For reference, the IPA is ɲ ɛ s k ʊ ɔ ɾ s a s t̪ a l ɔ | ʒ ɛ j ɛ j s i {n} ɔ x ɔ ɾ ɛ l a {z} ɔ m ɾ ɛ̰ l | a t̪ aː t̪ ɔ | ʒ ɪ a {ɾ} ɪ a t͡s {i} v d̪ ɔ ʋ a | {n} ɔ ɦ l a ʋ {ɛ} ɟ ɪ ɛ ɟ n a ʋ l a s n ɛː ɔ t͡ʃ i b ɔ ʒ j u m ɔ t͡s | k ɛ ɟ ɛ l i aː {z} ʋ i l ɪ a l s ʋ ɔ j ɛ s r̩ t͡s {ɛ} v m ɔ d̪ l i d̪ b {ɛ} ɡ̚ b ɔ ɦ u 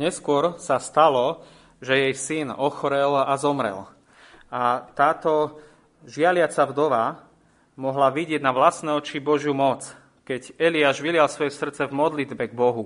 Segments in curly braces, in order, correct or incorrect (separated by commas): correct, correct, incorrect, incorrect, incorrect, incorrect, incorrect, correct, correct